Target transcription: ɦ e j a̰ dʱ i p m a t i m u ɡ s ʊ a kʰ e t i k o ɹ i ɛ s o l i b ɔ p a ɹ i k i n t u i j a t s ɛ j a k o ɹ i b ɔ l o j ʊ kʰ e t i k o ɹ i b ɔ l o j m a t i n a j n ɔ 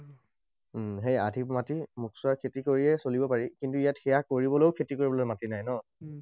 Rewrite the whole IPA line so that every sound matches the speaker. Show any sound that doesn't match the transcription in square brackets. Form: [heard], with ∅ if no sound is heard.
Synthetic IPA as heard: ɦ e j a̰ dʱ i p m a t i m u [k] s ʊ a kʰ e t i k o ɹ i ɛ s o l i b ɔ p a ɹ i k i n t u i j a t [x] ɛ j a k o ɹ i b ɔ l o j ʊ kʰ e t i k o ɹ i b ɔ l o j m a t i n a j n ɔ